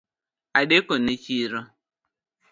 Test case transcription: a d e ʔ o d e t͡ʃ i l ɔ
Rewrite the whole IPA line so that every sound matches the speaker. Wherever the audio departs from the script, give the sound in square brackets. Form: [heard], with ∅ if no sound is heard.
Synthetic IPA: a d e [k] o [n] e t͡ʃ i [ɾ] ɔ